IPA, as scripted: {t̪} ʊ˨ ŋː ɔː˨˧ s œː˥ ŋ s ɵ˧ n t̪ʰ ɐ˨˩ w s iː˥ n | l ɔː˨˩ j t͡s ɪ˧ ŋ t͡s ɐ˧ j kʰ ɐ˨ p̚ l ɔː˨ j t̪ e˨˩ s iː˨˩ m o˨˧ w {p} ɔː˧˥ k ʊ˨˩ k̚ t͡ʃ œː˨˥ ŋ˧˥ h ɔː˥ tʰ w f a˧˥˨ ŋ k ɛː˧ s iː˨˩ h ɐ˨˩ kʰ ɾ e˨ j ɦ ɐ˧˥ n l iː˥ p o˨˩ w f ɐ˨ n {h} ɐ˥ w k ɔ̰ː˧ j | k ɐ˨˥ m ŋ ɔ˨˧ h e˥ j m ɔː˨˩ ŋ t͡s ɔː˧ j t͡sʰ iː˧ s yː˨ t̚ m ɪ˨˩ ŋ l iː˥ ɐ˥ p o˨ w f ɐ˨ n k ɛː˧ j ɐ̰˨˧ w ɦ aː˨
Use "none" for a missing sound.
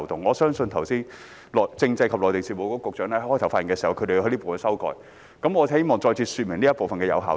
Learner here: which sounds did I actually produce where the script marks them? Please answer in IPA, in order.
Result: t̪, k, s

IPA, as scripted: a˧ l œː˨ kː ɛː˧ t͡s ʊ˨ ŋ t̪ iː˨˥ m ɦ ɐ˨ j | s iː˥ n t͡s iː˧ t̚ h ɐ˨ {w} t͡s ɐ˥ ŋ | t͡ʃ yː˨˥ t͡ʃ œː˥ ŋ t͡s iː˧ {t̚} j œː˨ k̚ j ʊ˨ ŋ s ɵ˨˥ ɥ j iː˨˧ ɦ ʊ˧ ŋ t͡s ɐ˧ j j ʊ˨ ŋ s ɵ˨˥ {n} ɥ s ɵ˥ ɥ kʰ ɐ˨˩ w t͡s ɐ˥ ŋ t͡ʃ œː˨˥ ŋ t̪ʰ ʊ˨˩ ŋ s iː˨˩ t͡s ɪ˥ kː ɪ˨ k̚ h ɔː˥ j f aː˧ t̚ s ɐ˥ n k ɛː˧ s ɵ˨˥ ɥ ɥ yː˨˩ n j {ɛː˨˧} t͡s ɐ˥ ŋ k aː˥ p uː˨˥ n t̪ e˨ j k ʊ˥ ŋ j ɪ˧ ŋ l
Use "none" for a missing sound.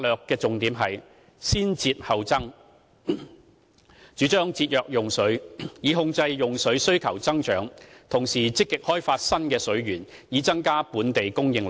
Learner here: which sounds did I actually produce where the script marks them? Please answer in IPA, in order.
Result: w, t̚, none, iː˨˧

